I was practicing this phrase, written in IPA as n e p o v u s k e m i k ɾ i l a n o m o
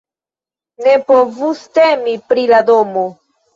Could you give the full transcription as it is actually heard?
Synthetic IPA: n e p o v u s t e m i p ɾ i l a d o m o